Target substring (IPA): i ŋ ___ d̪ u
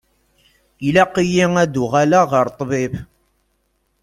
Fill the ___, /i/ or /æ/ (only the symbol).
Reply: æ